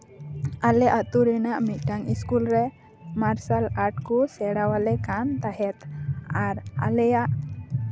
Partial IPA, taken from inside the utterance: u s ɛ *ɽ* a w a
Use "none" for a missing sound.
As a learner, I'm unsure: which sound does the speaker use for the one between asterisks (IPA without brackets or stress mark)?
ɽ